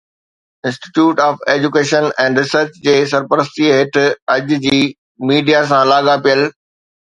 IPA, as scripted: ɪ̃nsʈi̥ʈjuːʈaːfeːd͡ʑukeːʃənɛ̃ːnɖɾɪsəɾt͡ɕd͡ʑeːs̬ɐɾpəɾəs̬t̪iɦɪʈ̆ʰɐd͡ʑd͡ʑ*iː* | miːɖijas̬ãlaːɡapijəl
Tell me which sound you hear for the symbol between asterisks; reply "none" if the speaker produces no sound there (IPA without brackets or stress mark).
iː